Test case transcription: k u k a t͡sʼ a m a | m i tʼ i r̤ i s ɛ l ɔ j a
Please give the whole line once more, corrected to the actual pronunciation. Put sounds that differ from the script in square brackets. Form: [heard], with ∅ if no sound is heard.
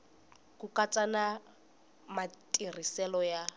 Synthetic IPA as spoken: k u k a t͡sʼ a [n] a | m [a] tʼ i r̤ i s ɛ l ɔ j a